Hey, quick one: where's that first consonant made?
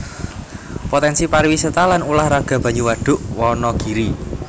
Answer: lips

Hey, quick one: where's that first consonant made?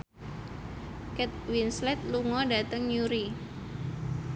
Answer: velum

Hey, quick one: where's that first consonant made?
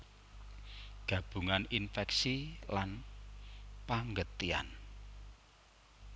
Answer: velum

